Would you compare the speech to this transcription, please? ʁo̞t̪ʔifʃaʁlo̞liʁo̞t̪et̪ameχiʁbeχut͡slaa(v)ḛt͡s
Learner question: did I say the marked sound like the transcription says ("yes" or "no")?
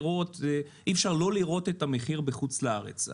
no